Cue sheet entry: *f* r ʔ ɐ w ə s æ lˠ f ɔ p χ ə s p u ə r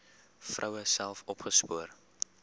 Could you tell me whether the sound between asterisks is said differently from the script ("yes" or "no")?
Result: no